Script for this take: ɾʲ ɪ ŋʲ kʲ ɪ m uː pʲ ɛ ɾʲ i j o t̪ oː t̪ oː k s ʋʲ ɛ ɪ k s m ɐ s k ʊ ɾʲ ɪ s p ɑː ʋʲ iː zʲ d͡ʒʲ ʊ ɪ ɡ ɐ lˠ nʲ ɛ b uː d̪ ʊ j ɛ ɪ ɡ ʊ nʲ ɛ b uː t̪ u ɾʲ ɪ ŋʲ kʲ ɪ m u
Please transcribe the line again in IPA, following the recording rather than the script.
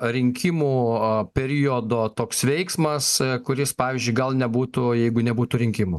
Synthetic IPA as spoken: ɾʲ ɪ ŋʲ kʲ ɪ m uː pʲ ɛ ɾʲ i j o d̪ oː t̪ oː k s ʋʲ ɛ ɪ k s m ɐ s k ʊ ɾʲ ɪ s p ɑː ʋʲ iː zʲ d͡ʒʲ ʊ ɪ ɡ ɐ lˠ nʲ ɛ b uː t̪ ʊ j ɛ ɪ ɡ ʊ nʲ ɛ b uː t̪ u ɾʲ ɪ ŋʲ kʲ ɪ m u